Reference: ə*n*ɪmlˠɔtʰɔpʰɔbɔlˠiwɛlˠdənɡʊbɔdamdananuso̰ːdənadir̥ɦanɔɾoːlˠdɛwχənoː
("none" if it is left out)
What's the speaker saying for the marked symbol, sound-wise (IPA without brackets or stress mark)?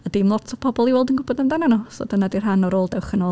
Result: d